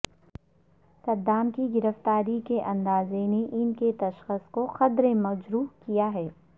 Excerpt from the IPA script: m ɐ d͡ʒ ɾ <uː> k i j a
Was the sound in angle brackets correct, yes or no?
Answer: yes